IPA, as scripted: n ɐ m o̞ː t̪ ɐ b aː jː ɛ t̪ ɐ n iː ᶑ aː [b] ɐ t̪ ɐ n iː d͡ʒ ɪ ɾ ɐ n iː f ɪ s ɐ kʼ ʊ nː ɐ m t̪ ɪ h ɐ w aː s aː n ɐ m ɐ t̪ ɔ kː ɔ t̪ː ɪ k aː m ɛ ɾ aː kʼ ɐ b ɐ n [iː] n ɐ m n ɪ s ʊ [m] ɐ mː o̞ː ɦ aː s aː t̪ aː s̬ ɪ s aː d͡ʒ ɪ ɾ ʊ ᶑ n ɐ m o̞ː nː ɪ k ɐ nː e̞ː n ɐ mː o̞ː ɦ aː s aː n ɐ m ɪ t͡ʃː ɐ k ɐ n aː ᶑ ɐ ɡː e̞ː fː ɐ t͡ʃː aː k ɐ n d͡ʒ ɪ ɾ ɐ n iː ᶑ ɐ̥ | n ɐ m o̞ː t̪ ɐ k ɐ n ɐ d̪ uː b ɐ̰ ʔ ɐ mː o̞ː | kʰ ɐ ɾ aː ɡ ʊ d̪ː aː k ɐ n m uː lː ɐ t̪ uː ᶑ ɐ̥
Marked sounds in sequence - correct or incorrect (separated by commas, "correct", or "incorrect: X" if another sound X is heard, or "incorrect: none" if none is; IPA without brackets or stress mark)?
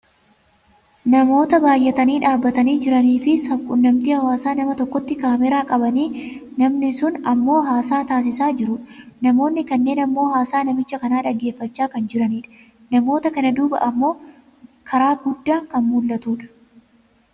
incorrect: bː, correct, incorrect: n